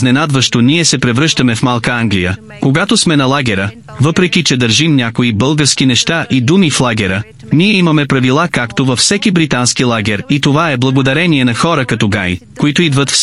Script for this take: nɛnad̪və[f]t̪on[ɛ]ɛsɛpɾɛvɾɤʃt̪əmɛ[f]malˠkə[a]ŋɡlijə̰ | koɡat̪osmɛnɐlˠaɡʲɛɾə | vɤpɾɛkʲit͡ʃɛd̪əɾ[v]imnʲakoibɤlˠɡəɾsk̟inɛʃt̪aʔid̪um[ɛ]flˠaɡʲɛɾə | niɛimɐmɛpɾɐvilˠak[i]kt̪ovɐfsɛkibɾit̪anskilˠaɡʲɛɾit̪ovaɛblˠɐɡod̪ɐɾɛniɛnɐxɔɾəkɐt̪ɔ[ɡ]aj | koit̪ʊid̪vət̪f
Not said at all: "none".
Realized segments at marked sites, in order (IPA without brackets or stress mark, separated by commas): ʃ, i, f, a, ʒ, i, a, ɡ